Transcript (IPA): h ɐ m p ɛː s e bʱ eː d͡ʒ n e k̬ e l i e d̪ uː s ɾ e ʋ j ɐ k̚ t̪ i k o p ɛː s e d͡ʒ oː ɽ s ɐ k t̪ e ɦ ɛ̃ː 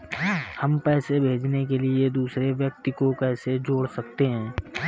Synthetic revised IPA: h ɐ m p ɛː s e bʱ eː d͡ʒ n e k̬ e l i e d̪ uː s ɾ e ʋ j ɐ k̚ t̪ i k o k ɛː s e d͡ʒ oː ɽ s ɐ k t̪ e ɦ ɛ̃ː